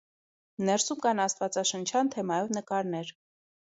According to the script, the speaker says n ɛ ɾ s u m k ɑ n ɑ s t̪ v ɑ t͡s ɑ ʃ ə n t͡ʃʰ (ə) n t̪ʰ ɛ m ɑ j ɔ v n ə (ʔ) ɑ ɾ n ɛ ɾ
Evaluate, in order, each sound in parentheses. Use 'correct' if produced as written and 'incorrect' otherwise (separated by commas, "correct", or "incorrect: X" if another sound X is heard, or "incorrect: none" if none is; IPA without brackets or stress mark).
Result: incorrect: ɑ, incorrect: k